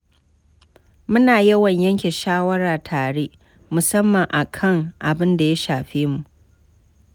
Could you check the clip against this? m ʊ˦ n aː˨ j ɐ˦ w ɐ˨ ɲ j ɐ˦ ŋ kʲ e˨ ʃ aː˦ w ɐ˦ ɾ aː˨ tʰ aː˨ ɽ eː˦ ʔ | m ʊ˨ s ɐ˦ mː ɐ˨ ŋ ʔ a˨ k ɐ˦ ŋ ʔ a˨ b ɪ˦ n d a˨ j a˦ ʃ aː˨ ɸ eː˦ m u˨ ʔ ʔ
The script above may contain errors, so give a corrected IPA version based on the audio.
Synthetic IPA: m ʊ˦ n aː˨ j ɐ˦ w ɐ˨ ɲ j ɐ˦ ŋ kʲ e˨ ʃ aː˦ w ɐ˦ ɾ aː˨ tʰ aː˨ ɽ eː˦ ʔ | m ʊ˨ s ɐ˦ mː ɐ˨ ŋ ʔ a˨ kʰ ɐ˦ ŋ ʔ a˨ b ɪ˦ n d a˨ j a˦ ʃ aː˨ ɸ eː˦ m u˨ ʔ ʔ